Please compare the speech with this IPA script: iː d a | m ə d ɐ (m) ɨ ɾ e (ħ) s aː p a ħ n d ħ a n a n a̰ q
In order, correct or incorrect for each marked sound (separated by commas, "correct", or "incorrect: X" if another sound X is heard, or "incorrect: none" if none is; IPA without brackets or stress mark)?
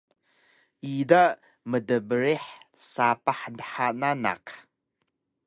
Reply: incorrect: b, correct